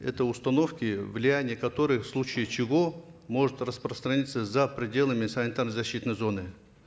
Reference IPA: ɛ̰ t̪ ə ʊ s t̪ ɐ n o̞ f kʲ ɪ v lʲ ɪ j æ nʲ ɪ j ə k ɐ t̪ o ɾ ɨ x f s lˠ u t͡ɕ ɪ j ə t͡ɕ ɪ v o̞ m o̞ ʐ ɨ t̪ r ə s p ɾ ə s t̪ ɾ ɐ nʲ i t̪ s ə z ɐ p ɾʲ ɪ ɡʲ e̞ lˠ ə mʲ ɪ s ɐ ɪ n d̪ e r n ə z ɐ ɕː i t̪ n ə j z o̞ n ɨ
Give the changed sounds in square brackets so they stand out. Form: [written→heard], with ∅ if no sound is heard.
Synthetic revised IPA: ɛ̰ t̪ ə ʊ s t̪ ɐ n o̞ f kʲ ɪ v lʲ ɪ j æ nʲ ɪ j ə k ɐ t̪ o ɾ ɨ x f s lˠ u t͡ɕ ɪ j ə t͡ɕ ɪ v o̞ m o̞ ʐ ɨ t̪ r ə s p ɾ ə s t̪ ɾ ɐ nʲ i t̪ s ə z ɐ p ɾʲ ɪ [ɡʲ→dʲ] e̞ lˠ ə mʲ ɪ s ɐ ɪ n [d̪→t̪] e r n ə z ɐ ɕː i t̪ n ə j z o̞ n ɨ